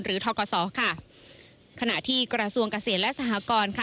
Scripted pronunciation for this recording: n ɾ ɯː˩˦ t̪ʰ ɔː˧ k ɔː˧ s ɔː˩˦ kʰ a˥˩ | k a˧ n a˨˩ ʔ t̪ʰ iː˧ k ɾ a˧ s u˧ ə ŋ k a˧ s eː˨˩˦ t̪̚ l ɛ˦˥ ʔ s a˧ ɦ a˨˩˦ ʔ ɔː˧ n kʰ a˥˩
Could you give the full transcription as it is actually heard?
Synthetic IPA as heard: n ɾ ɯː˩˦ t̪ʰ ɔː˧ k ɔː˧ s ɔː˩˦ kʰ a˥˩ | kʰ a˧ n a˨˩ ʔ t̪ʰ iː˥˩ k ɾ a˧ s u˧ ə ŋ k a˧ s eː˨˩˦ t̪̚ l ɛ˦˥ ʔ s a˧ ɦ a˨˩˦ k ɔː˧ n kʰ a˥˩